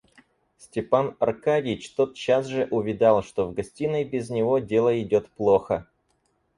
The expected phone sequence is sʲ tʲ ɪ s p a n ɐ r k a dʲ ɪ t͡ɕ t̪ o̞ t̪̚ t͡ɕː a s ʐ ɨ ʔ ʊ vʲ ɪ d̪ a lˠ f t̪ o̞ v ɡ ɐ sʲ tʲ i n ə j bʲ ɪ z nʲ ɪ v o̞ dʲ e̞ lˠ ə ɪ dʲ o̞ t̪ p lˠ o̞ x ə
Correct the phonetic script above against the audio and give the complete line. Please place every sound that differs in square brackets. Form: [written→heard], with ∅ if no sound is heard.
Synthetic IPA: sʲ tʲ ɪ [s→∅] p a n ɐ r k a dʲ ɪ t͡ɕ t̪ o̞ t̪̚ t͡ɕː a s ʐ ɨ ʔ ʊ vʲ ɪ d̪ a lˠ [f→ʂ] t̪ o̞ v ɡ ɐ sʲ tʲ i n ə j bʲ ɪ z nʲ ɪ v o̞ dʲ e̞ lˠ ə ɪ dʲ o̞ t̪ p lˠ o̞ x ə